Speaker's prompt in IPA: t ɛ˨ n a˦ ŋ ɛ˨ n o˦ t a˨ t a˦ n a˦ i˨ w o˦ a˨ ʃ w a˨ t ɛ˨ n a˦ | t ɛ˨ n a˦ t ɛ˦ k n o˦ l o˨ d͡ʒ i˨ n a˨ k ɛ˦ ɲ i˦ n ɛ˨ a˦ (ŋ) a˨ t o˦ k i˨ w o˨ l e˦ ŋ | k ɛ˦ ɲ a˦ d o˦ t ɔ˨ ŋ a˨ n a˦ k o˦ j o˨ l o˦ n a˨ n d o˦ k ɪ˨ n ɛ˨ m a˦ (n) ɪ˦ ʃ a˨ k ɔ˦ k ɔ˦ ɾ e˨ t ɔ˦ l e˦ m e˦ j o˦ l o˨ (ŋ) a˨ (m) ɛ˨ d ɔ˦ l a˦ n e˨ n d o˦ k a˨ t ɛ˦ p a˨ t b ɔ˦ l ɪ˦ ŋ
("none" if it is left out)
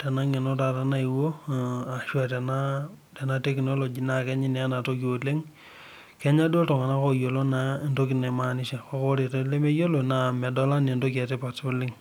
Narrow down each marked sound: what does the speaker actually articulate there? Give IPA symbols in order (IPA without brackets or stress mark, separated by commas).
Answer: n, n, n, m